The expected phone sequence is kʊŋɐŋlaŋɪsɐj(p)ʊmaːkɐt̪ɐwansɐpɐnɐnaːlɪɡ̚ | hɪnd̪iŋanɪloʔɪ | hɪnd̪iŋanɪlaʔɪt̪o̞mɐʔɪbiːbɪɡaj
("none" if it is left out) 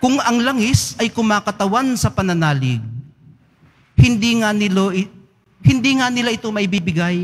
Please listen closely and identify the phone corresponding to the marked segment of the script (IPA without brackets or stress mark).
k